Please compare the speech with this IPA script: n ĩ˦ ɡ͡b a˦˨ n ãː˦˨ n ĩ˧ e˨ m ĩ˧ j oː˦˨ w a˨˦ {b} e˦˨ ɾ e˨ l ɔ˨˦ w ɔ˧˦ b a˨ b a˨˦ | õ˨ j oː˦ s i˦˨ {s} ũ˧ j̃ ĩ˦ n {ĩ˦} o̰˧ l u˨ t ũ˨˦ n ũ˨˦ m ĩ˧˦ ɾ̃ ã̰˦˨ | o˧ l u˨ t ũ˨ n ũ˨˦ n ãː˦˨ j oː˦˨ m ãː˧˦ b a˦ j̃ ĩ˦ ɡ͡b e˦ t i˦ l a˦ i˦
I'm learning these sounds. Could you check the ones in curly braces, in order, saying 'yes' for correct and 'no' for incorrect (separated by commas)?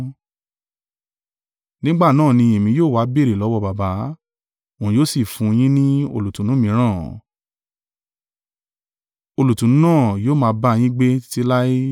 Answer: yes, no, yes